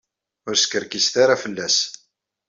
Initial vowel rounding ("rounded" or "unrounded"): rounded